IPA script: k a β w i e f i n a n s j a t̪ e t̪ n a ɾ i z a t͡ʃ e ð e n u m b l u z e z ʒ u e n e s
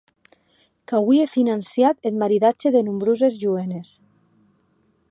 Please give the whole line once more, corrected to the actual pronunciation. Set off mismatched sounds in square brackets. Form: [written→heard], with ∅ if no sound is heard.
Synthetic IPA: k a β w i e f i n a n s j a t̪ e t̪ [n→m] a ɾ i [z→ð] a t͡ʃ e ð e n u m b [l→ɾ] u z e z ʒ u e n e s